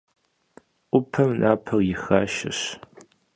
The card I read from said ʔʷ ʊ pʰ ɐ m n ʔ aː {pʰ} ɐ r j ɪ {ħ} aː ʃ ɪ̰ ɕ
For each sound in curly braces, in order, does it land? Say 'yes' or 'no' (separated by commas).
yes, no